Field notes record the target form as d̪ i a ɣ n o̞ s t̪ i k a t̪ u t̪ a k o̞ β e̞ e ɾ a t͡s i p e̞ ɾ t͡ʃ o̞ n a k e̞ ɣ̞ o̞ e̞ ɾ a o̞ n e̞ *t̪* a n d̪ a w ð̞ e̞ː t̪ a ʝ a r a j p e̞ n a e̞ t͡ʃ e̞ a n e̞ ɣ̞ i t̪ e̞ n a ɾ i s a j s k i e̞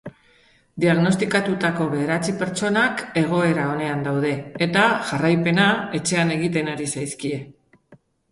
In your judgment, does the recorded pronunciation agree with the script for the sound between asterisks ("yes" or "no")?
no